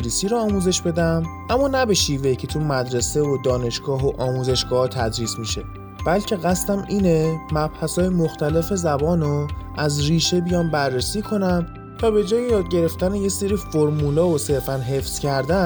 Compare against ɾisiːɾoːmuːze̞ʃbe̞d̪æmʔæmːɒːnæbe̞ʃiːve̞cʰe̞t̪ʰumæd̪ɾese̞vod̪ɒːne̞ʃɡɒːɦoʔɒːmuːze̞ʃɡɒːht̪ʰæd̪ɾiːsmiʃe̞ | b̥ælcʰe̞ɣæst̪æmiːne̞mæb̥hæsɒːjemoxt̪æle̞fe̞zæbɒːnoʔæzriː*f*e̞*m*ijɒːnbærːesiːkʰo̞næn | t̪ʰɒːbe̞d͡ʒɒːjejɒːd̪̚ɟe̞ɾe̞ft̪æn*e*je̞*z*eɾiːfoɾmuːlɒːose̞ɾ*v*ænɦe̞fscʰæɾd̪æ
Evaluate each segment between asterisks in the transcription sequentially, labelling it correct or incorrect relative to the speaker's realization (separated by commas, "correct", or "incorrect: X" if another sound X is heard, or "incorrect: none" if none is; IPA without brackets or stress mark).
incorrect: ʃ, incorrect: b, correct, incorrect: s, incorrect: f